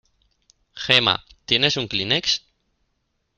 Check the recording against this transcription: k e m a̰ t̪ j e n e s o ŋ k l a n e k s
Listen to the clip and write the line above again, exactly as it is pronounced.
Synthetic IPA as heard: x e m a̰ t̪ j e n e s u ŋ k l i n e k s

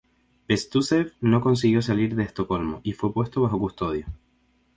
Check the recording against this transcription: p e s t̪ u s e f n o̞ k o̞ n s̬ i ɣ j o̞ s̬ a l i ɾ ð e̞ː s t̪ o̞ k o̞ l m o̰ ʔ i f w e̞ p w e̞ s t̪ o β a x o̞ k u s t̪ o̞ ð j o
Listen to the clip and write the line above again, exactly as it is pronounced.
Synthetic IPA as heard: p e s t̪ u s e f n o̞ k o̞ n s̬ i ɣ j o̞ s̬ a l i ɾ ð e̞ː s t̪ o̞ k o̞ l m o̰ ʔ i f w e̞ p w e̞ s t̪ o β a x o̞ k u s t̪ o̞ ð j o

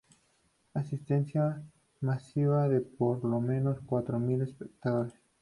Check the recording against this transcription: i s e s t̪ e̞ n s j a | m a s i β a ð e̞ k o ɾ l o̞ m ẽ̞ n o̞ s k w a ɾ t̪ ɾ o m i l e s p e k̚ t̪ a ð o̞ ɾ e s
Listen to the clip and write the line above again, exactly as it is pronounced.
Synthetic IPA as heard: a s i s t̪ e̞ n s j a | m a s i β a ð e̞ p o ɾ l o̞ m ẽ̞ n o̞ s k w a t̪ ɾ o m i l e s p e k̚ t̪ a ð o̞ ɾ e s

